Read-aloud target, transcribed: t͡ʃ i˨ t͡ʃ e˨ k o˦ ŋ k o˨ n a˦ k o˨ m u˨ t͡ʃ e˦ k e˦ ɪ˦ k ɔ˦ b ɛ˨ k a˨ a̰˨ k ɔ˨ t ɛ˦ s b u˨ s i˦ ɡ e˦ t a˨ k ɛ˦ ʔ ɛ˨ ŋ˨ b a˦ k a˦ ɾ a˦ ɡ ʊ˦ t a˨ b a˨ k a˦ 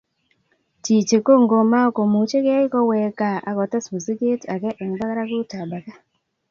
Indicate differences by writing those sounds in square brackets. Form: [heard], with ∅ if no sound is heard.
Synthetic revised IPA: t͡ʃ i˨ t͡ʃ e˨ k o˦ ŋ [ɡ] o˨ [m] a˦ k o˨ m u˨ t͡ʃ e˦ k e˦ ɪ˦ k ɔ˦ [w] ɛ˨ k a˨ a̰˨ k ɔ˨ t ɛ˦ s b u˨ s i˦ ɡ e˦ t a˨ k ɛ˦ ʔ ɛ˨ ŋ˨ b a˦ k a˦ ɾ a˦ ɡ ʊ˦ t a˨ b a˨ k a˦